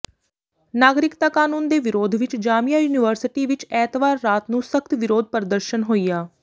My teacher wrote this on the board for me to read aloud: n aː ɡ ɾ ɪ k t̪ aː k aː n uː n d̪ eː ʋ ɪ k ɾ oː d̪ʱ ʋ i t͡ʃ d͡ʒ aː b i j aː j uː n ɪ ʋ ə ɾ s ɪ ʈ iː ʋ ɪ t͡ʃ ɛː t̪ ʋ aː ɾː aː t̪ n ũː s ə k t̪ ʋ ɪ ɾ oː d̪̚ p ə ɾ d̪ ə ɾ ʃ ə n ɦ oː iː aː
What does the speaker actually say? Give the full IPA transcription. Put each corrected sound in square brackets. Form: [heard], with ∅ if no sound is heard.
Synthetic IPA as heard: n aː ɡ ɾ ɪ k t̪ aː k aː n uː n d̪ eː ʋ ɪ [∅] ɾ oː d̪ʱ ʋ [ɪ] t͡ʃ d͡ʒ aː [m] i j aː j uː n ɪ ʋ ə ɾ s ɪ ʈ iː ʋ ɪ t͡ʃ ɛː t̪ ʋ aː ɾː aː t̪ n ũː s ə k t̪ ʋ ɪ ɾ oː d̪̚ p ə ɾ d̪ ə ɾ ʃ ə n ɦ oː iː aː